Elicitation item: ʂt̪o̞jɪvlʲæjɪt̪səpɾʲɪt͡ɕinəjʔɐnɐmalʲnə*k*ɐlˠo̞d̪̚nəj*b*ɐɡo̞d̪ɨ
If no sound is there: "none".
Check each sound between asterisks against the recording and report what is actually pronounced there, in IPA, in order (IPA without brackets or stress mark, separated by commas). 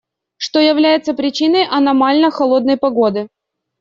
x, p